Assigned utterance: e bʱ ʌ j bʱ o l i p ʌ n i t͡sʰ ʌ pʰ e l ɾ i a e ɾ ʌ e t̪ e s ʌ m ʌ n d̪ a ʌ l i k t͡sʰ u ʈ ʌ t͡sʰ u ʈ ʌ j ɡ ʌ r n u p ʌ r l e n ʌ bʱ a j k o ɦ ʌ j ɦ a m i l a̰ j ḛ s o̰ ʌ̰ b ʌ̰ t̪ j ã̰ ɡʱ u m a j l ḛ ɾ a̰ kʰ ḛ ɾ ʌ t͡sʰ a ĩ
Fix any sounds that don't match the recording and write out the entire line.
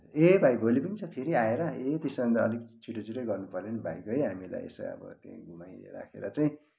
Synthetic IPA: e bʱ a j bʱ o l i p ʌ n i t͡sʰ ʌ pʰ e ɾ i a e ɾ ʌ e t̪ e s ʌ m ʌ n d̪ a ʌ l i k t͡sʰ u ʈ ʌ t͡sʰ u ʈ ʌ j ɡ ʌ r n u p ʌ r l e n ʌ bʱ a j k o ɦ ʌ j ɦ a m i l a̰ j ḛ s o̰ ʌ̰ b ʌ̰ t̪ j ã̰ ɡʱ u m a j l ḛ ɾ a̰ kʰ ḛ ɾ ʌ t͡s a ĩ